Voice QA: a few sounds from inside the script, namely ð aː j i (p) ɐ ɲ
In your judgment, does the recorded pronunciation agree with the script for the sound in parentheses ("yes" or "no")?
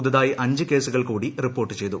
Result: no